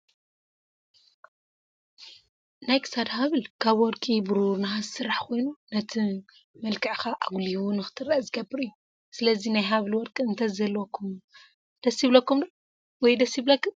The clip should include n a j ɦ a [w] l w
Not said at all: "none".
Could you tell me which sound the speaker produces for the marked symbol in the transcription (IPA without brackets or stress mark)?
β